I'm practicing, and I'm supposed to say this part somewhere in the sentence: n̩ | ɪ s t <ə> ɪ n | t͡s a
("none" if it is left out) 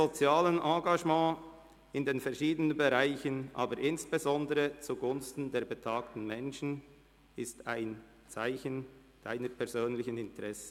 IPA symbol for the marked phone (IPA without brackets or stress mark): a